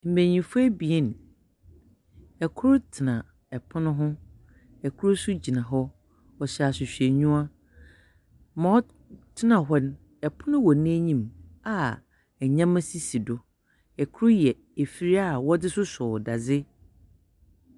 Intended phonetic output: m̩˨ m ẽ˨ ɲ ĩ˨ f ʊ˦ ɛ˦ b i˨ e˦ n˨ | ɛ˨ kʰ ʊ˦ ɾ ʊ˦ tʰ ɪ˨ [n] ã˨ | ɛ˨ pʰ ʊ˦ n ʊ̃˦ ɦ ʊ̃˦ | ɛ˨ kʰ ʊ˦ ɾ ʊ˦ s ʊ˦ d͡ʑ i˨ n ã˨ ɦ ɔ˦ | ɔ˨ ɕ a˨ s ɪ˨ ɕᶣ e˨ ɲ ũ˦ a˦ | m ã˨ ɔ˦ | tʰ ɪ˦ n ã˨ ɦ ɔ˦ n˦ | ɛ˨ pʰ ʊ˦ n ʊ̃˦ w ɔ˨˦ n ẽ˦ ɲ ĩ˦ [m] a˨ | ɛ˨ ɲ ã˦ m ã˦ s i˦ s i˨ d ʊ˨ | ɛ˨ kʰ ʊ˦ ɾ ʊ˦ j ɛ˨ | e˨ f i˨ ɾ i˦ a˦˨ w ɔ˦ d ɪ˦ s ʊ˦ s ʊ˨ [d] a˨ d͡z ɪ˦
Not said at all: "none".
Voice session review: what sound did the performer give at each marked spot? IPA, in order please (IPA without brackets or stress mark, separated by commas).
n, m, d